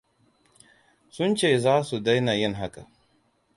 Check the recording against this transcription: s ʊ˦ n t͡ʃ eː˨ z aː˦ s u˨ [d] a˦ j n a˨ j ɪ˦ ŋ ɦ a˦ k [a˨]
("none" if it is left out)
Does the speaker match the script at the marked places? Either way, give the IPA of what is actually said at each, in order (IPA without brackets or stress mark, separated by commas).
d, a˨